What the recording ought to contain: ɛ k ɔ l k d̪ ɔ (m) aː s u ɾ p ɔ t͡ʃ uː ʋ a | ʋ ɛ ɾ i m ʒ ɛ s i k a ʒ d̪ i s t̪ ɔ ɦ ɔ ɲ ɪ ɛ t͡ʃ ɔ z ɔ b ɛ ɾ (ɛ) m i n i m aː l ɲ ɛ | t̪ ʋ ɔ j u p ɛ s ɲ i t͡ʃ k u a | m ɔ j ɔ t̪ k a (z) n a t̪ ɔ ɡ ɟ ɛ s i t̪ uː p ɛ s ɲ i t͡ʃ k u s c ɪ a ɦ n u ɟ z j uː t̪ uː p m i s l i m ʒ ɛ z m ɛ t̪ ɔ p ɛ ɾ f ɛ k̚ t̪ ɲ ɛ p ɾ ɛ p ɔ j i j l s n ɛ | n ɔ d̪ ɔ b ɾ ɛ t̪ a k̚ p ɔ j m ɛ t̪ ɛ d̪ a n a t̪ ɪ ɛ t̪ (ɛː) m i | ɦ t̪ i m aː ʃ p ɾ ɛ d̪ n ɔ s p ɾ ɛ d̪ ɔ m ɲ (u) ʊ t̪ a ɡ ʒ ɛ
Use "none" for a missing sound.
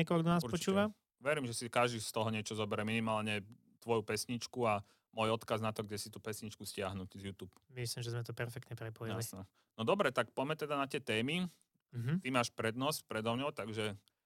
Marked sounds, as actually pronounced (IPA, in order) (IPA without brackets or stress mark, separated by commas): n, ɛ, z, ɛː, ɔ